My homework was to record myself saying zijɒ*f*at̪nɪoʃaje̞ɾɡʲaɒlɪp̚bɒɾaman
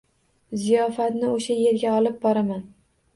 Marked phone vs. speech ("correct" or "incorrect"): correct